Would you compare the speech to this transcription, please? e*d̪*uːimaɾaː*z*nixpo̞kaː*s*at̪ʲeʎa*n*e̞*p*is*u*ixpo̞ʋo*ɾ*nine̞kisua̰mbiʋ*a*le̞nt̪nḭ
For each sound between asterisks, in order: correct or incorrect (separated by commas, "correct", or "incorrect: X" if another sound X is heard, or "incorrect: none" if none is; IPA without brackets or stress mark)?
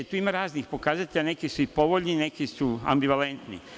incorrect: t̪, correct, incorrect: z, correct, incorrect: k, correct, incorrect: ʎ, correct